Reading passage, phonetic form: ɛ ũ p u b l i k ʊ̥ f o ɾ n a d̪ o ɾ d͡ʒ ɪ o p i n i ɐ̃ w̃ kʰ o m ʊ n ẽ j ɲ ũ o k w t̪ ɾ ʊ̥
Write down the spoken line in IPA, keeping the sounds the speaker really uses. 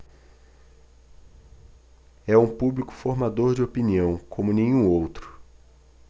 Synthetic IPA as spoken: ɛ ũ p u b l i k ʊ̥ f o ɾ m a d̪ o ɾ d͡ʒ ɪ o p i n i ɐ̃ w̃ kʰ õ m ʊ n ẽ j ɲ ũ o w t̪ ɾ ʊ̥